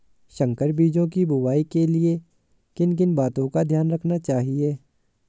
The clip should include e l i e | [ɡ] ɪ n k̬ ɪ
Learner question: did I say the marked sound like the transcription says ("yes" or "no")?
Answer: no